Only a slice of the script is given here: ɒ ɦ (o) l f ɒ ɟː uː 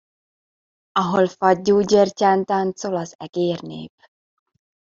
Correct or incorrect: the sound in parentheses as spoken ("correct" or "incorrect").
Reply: correct